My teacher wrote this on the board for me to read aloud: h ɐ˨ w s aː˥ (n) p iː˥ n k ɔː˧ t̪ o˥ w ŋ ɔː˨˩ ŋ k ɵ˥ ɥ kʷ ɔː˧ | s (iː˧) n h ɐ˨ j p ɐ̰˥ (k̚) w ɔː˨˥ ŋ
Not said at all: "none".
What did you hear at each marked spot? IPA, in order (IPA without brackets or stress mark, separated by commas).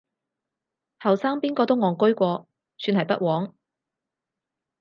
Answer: ŋ, yː˧, t̚